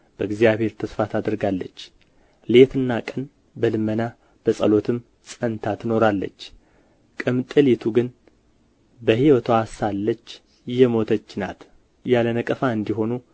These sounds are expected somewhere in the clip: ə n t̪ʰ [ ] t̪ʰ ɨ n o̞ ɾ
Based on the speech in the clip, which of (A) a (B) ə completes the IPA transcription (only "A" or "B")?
A